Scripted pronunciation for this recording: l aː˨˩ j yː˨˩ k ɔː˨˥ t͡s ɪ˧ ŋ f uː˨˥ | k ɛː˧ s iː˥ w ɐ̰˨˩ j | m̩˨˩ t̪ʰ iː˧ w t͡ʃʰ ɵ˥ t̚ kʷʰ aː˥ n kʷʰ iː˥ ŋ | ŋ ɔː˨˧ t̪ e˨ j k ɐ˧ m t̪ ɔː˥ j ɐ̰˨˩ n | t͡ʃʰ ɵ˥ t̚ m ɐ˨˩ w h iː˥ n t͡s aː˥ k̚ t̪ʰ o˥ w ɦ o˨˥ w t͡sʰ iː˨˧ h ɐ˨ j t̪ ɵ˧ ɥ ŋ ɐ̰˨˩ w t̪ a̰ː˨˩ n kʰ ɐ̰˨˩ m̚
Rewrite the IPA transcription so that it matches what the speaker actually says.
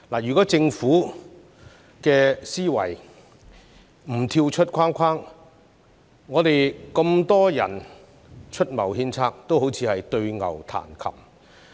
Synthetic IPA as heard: l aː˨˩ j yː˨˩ k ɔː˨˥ t͡s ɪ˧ ŋ f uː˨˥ | k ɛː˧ s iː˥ w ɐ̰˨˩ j | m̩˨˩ t̪ʰ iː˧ w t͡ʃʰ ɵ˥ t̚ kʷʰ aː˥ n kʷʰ aː˥ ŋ | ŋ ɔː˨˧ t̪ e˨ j k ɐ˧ m t̪ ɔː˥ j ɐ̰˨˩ n | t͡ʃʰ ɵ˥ t̚ m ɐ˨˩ w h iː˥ n t͡sʰ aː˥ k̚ t̪ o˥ w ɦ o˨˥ w t͡sʰ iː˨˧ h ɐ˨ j t̪ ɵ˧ ɥ ŋ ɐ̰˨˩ w t̪ʰ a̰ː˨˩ n kʰ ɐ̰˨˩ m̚